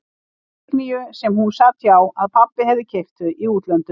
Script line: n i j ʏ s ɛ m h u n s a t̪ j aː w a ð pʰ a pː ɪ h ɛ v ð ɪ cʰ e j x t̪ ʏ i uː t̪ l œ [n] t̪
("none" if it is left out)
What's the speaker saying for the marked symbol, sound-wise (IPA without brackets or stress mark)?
n